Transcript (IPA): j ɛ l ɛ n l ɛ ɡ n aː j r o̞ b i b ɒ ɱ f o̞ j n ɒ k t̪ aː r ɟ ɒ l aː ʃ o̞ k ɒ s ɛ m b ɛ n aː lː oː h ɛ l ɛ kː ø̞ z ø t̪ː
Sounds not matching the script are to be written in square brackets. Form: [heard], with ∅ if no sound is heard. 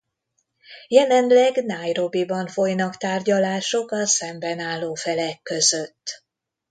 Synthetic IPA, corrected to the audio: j ɛ l ɛ n l ɛ ɡ n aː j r o̞ b i b ɒ ɱ f o̞ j n ɒ k t̪ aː r ɟ ɒ l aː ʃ o̞ k ɒ s ɛ m b ɛ n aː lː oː [f] ɛ l ɛ kː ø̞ z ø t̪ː